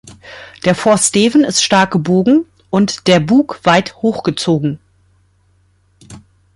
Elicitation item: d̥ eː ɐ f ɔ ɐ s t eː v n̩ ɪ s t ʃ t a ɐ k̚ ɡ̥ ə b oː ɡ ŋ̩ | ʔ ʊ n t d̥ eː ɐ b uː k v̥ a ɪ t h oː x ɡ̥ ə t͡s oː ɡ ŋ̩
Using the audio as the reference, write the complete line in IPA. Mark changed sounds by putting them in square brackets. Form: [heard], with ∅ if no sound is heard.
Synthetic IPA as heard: d̥ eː ɐ f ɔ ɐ s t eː v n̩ ɪ s t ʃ t a ɐ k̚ ɡ̥ ə b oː ɡ ŋ̩ | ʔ ʊ n t d̥ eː ɐ b uː k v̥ a ɪ t h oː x ɡ̥ ə t͡s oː ɡ ŋ̩

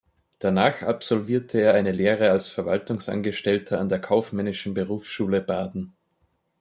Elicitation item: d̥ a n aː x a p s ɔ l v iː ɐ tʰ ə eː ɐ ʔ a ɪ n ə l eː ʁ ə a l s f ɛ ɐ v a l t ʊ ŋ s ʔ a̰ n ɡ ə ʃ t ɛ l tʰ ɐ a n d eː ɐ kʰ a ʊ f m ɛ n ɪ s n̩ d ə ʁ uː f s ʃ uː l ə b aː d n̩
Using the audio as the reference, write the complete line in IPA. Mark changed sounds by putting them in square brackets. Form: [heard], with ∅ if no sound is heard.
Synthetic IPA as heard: d̥ a n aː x a p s ɔ l v iː ɐ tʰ ə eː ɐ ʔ a ɪ n ə l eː ʁ ə a l s f ɛ ɐ v a l t ʊ ŋ s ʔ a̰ n ɡ ə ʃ t ɛ l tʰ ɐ a n d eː ɐ kʰ a ʊ f m ɛ n ɪ [ʃ] n̩ [b] ə ʁ uː f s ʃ uː l ə b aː d n̩

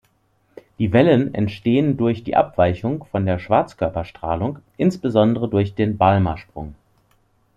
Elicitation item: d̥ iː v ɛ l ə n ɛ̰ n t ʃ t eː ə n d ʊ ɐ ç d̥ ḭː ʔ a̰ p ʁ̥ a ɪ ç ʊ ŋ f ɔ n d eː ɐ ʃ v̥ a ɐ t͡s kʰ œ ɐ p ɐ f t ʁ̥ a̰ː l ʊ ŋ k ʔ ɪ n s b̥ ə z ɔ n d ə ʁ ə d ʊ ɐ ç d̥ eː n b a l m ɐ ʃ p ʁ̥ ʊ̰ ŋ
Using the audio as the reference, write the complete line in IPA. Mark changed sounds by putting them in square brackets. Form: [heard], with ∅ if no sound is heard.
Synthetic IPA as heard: d̥ iː v ɛ l ə n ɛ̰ n t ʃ t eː ə n d ʊ ɐ ç d̥ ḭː ʔ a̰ p [v̥] a ɪ ç ʊ ŋ f ɔ n d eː ɐ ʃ v̥ a ɐ t͡s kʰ œ ɐ p ɐ [ʃ] t ʁ̥ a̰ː l ʊ ŋ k ʔ ɪ n s b̥ ə z ɔ n d ə ʁ ə d ʊ ɐ ç d̥ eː n b a l m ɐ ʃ p ʁ̥ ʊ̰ ŋ

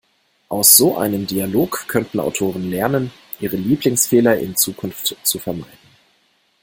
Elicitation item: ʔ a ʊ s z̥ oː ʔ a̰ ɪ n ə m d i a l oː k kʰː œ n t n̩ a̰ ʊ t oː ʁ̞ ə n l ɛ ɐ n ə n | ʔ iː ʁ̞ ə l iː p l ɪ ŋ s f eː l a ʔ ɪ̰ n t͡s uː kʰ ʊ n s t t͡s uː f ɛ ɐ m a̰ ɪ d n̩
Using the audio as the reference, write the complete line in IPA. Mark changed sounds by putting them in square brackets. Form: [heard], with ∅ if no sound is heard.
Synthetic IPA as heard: ʔ a ʊ s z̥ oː ʔ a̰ ɪ n ə m d i a l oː k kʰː œ n t n̩ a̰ ʊ [tʰ] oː ʁ̞ ə n l ɛ ɐ n ə n | ʔ iː ʁ̞ ə l iː p l ɪ ŋ s f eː l [ɐ] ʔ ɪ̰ n t͡s uː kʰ ʊ n [f] t t͡s [u] f ɛ ɐ m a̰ ɪ d n̩

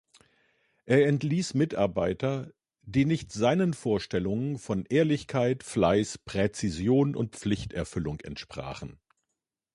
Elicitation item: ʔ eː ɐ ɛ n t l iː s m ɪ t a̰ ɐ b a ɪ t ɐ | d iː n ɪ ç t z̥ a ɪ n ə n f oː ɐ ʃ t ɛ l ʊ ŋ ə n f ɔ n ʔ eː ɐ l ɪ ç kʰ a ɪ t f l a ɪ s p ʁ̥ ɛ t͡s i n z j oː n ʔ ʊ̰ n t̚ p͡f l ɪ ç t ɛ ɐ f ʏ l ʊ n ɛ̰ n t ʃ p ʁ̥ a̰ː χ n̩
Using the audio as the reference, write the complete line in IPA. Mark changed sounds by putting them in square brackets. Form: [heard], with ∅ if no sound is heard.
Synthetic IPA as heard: ʔ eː ɐ ɛ n t l iː s m ɪ t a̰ ɐ b a ɪ t ɐ | d iː n ɪ ç t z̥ a ɪ n ə n f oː ɐ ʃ t ɛ l ʊ ŋ ə n f ɔ n ʔ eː ɐ l ɪ ç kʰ a ɪ t f l a ɪ s p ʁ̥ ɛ t͡s i [∅] z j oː n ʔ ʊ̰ n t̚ p͡f l ɪ ç t ɛ ɐ f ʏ l ʊ [ŋ] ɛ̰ n t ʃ p ʁ̥ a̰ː χ n̩

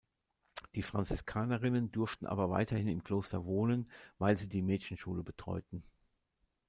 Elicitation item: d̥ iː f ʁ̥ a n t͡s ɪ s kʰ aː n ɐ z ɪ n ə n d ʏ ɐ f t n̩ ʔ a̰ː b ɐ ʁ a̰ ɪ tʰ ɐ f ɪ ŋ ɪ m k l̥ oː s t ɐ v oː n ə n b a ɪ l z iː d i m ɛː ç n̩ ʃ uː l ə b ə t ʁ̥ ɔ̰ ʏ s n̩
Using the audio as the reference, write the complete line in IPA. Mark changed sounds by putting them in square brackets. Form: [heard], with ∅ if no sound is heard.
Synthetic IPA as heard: d̥ iː f ʁ̥ a n t͡s ɪ s kʰ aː n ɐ [ʁ] ɪ n ə n d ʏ ɐ f t n̩ ʔ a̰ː b ɐ [v] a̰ ɪ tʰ ɐ [h] ɪ [n] ɪ m k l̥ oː s t ɐ v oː n ə n [v] a ɪ l z iː d [iː] m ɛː ç n̩ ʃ uː l ə b ə t ʁ̥ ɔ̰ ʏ [t] n̩

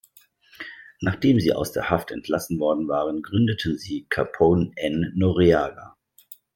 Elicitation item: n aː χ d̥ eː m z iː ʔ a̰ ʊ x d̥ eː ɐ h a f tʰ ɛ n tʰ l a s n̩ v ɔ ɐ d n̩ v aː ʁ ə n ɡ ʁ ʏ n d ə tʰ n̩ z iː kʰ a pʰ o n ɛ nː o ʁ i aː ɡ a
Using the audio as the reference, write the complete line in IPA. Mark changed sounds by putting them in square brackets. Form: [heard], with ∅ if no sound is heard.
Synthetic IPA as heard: n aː χ d̥ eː m z iː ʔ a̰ ʊ [s] d̥ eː ɐ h a f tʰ ɛ n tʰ l a s n̩ v ɔ ɐ d n̩ v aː ʁ ə n ɡ ʁ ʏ n d ə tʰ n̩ z iː kʰ a pʰ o n ɛ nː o ʁ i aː ɡ a

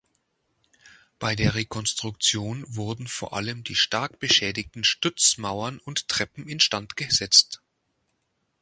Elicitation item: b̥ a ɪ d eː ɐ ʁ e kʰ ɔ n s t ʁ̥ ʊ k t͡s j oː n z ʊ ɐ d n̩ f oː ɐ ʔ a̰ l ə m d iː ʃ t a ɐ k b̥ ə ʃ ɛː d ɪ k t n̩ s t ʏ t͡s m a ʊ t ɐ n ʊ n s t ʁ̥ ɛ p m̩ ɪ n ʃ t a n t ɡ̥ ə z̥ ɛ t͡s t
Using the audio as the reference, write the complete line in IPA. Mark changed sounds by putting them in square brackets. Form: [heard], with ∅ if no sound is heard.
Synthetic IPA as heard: b̥ a ɪ d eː ɐ ʁ e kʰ ɔ n s t ʁ̥ ʊ k t͡s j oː n [v] ʊ ɐ d n̩ f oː ɐ ʔ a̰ l ə m d iː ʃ t a ɐ k b̥ ə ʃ ɛː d ɪ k t n̩ [ʃ] t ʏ t͡s m a ʊ [∅] ɐ n ʊ n [t] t ʁ̥ ɛ p m̩ ɪ n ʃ t a n t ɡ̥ ə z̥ ɛ t͡s t

